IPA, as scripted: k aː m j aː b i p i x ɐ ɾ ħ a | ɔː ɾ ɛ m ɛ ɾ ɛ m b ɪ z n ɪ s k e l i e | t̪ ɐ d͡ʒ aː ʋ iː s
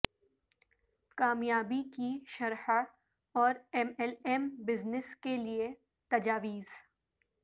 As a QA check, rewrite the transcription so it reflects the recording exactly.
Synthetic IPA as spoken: k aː m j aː b i k i ʃ ɐ ɾ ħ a | ɔː ɾ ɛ m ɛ l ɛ m b ɪ z n ɪ s k e l i e | t̪ ɐ d͡ʒ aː ʋ iː z